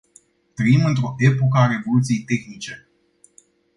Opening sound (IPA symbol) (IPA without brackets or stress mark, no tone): t̪